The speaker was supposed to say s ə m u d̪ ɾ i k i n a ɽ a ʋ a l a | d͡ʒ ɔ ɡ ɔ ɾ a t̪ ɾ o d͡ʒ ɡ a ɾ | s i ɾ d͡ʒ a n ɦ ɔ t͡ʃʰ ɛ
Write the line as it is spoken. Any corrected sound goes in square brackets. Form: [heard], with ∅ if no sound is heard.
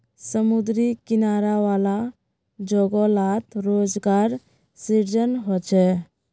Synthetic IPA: s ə m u d̪ ɾ i k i n a [ɾ] a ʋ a l a | d͡ʒ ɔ ɡ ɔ [l] a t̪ ɾ o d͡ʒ ɡ a ɾ | s i ɾ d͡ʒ [ə] n ɦ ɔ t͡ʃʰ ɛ

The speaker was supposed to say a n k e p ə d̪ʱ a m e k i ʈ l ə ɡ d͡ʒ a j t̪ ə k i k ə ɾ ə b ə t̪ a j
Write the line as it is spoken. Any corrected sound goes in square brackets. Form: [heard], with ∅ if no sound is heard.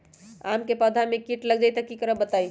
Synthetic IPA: a [m] k e p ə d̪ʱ a m e k i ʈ l ə ɡ d͡ʒ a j t̪ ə k i k ə ɾ ə b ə t̪ a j

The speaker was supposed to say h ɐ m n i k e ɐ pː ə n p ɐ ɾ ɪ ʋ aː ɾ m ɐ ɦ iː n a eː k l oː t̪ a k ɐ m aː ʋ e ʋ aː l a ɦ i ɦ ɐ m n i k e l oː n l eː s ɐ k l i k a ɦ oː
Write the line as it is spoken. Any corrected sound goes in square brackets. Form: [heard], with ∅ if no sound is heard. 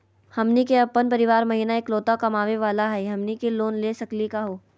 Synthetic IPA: h ɐ m n i k e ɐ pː ə n p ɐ ɾ ɪ ʋ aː ɾ m ɐ ɦ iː n a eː k l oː t̪ a k ɐ m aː ʋ e ʋ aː l a ɦ [ɛ] ɦ ɐ m n i k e l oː n l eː s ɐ k l i k a ɦ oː

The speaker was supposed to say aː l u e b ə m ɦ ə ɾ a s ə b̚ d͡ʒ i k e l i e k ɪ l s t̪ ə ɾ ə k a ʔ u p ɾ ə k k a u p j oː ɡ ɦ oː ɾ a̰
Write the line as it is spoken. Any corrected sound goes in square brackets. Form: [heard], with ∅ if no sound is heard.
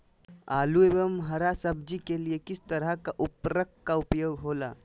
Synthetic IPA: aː l u e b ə m ɦ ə ɾ a s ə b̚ d͡ʒ i k e l i e k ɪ [∅] s t̪ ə ɾ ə k a ʔ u p ɾ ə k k a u p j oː ɡ ɦ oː [l] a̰

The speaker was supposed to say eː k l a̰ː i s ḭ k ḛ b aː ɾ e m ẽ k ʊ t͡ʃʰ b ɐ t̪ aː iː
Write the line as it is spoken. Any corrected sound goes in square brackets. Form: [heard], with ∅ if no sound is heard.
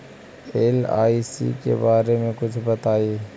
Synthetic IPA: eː [∅] l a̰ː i s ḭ k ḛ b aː ɾ e m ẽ k ʊ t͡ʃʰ b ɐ t̪ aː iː

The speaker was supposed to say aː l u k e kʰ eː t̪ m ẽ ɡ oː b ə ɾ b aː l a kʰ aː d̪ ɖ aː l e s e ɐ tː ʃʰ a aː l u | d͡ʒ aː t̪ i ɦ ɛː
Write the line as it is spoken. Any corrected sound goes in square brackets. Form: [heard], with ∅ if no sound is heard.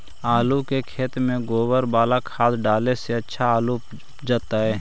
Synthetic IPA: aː l u k e kʰ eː t̪ m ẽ ɡ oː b ə ɾ b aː l a kʰ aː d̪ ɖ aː l e s e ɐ tː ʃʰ a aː l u | d͡ʒ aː t̪ [a] ɦ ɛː

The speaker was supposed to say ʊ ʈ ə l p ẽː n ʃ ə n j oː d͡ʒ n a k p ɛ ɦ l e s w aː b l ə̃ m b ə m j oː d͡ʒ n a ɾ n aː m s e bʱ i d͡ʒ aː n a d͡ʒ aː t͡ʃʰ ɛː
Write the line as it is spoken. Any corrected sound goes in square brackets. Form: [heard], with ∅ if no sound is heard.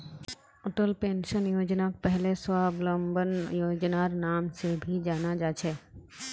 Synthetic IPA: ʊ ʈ ə l p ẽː n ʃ ə n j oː d͡ʒ n a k p ɛ ɦ l e s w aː b l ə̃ m b ə [n] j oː d͡ʒ n a ɾ n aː m s e bʱ i d͡ʒ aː n a d͡ʒ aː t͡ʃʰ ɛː

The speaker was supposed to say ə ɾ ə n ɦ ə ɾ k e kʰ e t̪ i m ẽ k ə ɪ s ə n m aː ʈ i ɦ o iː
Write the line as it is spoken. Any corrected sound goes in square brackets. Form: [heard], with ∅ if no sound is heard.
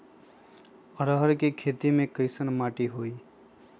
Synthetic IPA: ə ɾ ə [∅] ɦ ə ɾ k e kʰ e t̪ i m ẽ k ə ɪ s ə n m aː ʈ i ɦ o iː

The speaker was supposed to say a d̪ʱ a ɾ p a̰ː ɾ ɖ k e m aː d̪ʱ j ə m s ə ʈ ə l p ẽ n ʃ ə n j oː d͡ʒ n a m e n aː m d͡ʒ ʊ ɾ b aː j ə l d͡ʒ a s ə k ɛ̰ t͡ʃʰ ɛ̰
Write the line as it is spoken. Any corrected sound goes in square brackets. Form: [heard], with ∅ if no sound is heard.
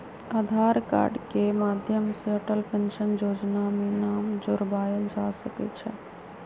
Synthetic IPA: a d̪ʱ a ɾ [k] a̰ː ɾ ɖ k e m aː d̪ʱ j ə m s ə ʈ ə l p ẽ n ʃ ə n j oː d͡ʒ n a m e n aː m d͡ʒ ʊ ɾ b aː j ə l d͡ʒ a s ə k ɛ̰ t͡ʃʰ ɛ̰

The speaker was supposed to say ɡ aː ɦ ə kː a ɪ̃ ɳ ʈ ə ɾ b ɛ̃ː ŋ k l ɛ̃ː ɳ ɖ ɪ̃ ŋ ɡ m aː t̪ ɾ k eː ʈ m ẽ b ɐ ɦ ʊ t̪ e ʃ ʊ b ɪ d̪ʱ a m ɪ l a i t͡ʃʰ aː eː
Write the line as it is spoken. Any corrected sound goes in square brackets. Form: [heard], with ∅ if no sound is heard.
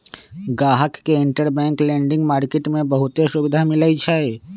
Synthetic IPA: ɡ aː ɦ ə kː [e] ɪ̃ ɳ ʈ ə ɾ b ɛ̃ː ŋ k l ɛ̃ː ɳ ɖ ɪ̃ ŋ ɡ m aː [∅] ɾ k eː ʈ m ẽ b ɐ ɦ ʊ t̪ e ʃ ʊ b ɪ d̪ʱ a m ɪ l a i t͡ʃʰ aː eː

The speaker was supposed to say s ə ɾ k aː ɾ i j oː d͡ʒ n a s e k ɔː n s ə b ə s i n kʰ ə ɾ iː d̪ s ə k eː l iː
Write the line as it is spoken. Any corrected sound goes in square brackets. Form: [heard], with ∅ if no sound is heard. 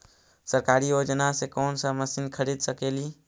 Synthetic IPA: s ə ɾ k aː ɾ i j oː d͡ʒ n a s e k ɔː n s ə [m] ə s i n kʰ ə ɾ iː d̪ s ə k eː l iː

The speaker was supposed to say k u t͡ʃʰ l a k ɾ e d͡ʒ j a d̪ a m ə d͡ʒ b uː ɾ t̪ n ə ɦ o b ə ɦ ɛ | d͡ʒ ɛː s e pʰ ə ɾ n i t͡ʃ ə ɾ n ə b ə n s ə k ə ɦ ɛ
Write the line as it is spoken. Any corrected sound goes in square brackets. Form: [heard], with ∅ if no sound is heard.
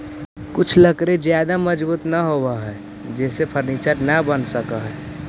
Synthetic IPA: k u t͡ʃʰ l [ə] k ɾ e d͡ʒ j a d̪ a m ə d͡ʒ b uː [∅] t̪ n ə ɦ o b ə ɦ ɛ | d͡ʒ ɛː s e pʰ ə ɾ n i t͡ʃ ə ɾ n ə b ə n s ə k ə ɦ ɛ

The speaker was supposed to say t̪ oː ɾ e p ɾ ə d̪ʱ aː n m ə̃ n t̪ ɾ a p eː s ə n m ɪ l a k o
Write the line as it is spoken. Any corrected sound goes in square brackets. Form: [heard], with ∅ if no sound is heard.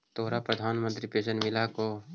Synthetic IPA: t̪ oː ɾ [a] p ɾ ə d̪ʱ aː n m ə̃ n t̪ ɾ [i] p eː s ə n m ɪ l a k o

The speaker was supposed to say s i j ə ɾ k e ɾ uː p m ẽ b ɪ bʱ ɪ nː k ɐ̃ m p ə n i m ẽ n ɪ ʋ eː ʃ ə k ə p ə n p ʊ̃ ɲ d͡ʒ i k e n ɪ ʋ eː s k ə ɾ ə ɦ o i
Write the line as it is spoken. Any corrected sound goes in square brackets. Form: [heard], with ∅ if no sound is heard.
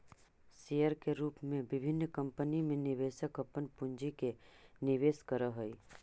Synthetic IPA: s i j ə ɾ k e ɾ uː p m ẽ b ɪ bʱ ɪ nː k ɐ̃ m p ə n i m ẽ n ɪ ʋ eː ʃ ə k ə p ə n p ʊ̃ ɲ d͡ʒ i k e n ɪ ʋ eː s k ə ɾ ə ɦ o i

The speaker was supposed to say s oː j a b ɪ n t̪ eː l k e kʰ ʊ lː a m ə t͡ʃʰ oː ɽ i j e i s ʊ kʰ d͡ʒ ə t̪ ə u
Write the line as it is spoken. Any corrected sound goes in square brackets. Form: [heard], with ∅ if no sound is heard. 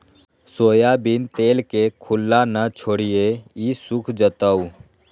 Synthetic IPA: s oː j a b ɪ n t̪ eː l k e kʰ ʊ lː a [n] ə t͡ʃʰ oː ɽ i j e i s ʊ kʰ d͡ʒ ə t̪ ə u

